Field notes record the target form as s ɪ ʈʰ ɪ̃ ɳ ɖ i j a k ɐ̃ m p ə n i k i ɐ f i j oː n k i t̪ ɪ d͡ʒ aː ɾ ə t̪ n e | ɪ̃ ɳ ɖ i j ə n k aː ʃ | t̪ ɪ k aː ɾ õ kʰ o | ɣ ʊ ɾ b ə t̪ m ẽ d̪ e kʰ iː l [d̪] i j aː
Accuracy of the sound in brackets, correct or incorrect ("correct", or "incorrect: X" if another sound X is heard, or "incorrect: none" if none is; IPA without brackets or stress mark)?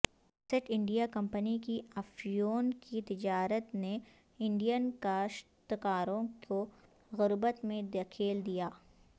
correct